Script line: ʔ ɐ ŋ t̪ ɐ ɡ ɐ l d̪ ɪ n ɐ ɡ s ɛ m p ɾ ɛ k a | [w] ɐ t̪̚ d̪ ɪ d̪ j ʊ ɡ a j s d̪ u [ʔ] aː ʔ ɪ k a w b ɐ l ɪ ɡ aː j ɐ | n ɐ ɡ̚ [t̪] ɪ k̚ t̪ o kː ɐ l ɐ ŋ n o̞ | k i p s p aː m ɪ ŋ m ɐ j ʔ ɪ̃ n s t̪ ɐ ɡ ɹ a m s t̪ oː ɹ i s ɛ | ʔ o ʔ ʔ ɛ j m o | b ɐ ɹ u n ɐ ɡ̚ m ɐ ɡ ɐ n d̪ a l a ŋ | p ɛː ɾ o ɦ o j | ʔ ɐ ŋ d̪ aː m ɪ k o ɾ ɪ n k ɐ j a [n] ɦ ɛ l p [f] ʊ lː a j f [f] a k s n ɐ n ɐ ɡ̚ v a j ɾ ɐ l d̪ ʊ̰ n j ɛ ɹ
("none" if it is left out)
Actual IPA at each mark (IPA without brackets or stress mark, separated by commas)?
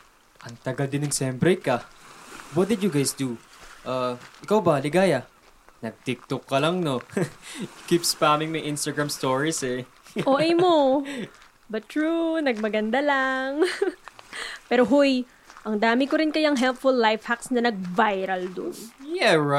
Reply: w, ʔ, t̪, ŋ, f, h